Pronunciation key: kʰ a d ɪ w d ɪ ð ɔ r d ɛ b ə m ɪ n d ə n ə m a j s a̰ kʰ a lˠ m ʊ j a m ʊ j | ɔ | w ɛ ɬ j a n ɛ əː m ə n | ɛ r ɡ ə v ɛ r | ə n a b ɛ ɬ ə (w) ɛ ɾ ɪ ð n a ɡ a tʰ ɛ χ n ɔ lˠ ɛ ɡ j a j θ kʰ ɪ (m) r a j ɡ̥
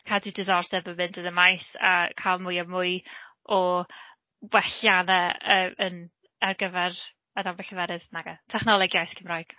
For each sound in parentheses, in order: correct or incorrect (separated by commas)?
incorrect, correct